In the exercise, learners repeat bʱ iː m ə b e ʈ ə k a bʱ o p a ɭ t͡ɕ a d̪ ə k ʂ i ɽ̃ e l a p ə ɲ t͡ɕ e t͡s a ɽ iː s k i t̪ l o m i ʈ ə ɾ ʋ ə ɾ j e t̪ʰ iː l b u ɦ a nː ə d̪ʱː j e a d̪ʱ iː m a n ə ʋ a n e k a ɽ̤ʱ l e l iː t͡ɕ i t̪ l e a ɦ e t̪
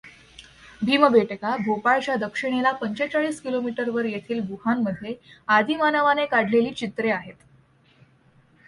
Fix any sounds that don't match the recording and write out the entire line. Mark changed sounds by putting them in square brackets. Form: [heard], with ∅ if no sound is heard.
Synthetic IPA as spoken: bʱ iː m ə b e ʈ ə k a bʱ o p a ɭ t͡ɕ a d̪ ə k ʂ i ɽ̃ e l a p ə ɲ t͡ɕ e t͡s a [ɭ] iː s k i [∅] l o m i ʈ ə ɾ ʋ ə ɾ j e t̪ʰ iː l b u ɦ a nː ə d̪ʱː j e a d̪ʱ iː m a n ə ʋ a n e k a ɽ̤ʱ l e l iː t͡ɕ i t̪ [ɾ] e a ɦ e t̪